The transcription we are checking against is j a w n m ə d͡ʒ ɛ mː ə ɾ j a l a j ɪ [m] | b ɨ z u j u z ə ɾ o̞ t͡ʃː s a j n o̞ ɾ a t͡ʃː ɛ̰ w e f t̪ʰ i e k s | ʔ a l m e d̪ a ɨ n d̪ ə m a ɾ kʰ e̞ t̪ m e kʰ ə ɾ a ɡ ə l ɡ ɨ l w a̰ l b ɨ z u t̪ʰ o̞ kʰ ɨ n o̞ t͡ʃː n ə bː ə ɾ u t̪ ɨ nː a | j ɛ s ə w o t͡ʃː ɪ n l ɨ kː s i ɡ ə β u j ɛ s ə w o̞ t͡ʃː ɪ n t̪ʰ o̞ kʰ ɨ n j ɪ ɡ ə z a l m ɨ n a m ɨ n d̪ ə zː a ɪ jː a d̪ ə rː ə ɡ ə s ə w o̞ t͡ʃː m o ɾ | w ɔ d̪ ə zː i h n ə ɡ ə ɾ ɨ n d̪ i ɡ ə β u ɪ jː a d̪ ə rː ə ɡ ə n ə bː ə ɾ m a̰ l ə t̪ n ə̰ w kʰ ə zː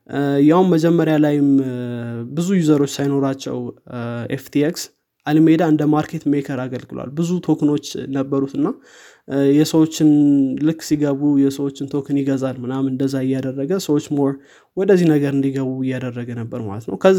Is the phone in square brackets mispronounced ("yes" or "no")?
no